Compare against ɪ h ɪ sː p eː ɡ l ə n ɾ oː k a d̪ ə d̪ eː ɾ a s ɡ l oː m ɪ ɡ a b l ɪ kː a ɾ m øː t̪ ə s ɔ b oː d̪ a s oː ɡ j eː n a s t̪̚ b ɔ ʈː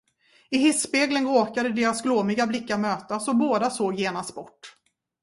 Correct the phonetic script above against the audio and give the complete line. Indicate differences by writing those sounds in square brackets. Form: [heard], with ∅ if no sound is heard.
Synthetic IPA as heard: ɪ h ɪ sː p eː ɡ l ə n ɾ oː k a d̪ ə d̪ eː ɾ a s ɡ l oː m ɪ ɡ a b l ɪ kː a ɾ m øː t̪ [a] s ɔ b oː d̪ a s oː ɡ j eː n a s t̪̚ b ɔ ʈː